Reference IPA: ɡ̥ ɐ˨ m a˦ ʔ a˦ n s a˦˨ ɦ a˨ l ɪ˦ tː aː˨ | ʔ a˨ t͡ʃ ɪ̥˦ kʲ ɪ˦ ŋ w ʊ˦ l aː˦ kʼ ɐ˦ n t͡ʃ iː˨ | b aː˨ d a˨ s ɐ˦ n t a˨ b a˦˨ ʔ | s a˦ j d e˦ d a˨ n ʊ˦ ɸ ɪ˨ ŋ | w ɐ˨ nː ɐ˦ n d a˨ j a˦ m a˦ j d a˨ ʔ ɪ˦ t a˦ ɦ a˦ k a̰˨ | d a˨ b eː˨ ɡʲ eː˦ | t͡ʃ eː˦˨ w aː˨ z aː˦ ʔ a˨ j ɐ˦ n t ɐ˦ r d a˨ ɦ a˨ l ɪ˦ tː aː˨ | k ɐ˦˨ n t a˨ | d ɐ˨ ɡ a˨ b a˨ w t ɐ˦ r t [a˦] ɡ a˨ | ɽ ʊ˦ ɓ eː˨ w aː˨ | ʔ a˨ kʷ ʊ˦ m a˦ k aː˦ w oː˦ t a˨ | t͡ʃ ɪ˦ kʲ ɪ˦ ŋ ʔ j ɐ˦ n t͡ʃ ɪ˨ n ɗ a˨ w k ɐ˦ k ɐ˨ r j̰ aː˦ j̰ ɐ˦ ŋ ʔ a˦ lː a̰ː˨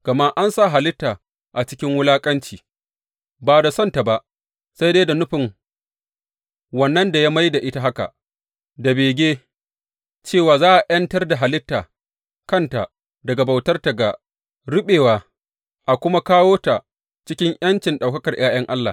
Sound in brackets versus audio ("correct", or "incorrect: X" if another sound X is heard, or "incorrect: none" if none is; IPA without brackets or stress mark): incorrect: a˨